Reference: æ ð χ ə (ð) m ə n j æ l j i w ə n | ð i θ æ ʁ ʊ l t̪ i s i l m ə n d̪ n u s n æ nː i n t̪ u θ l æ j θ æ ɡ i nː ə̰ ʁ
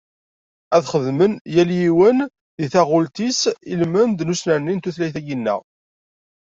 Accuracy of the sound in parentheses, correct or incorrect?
correct